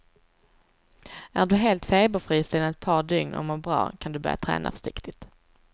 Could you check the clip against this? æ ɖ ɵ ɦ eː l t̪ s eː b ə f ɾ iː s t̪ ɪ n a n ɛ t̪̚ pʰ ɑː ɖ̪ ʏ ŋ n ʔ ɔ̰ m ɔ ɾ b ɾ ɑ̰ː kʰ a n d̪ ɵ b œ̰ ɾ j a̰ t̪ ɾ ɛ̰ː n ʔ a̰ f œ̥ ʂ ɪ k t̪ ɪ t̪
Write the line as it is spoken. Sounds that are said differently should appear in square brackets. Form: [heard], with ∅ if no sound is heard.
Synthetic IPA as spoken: æ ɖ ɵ ɦ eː l t̪ [f] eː b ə f ɾ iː s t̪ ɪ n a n ɛ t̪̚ pʰ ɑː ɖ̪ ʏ ŋ n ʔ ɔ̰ m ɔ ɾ b ɾ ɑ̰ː kʰ a n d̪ ɵ b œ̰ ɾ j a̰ [t̪ʰ] ɾ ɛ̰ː n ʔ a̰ f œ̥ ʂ ɪ k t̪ ɪ t̪

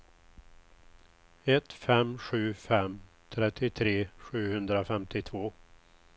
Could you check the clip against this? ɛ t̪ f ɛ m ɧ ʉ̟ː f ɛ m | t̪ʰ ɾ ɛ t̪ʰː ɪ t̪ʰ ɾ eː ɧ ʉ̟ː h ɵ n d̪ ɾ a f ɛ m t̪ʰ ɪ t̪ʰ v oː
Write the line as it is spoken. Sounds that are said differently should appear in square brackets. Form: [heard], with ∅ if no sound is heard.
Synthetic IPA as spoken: ɛ t̪ f ɛ m ɧ ʉ̟ː f ɛ m | t̪ʰ ɾ ɛ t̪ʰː ɪ t̪ʰ ɾ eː ɧ ʉ̟ː h ɵ n d̪ ɾ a f ɛ m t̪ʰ ɪ t̪ʰ v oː

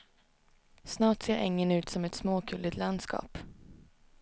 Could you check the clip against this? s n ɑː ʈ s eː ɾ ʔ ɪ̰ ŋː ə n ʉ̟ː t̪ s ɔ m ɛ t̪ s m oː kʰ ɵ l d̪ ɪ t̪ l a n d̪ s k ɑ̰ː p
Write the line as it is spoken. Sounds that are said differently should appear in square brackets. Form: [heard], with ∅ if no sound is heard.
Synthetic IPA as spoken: s n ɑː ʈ s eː ɾ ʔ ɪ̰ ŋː ə n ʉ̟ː t̪ s ɔ m ɛ t̪ s m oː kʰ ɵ l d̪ ɪ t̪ l a n d̪ s k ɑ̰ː p

